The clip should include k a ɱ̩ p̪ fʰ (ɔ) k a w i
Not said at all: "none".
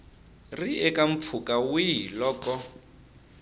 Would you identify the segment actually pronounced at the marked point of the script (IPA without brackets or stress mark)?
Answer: u